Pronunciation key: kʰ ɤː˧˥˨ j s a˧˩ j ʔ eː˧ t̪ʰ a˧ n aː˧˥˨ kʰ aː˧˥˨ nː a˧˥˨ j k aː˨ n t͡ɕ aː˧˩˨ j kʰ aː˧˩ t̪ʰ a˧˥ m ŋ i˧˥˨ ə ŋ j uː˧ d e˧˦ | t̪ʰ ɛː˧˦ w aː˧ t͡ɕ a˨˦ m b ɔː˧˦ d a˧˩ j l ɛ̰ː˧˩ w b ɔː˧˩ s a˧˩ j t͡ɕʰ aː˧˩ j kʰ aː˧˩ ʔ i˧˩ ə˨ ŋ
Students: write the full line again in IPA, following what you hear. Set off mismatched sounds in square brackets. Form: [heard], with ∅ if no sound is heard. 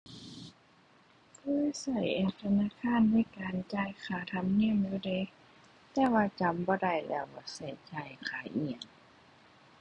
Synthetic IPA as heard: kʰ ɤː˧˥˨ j s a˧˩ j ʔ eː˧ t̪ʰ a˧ n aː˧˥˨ kʰ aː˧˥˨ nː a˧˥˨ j k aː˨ n t͡ɕ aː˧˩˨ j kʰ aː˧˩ t̪ʰ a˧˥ m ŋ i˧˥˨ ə [m] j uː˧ d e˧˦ | [t̪] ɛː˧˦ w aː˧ t͡ɕ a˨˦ m b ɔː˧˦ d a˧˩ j l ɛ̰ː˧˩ w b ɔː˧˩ s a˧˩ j [t͡ɕ] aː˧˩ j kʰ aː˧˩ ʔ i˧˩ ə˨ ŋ